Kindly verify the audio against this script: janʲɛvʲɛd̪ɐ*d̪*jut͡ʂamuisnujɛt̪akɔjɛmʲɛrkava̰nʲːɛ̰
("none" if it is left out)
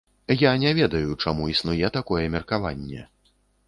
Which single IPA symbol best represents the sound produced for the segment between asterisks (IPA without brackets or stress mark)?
none